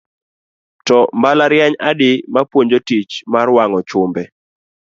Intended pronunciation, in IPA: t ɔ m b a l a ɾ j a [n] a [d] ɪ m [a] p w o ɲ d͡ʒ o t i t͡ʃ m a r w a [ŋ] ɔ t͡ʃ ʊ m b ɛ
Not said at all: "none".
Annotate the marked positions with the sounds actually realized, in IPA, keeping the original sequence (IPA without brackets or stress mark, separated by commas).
ɲ, d, a, ŋ